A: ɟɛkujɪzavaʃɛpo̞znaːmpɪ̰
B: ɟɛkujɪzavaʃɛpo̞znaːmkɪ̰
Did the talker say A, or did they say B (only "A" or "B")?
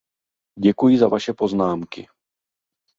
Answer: B